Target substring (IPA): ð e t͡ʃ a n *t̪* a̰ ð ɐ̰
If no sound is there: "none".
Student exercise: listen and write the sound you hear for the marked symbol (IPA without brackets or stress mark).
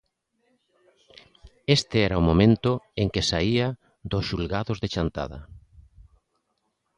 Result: t̪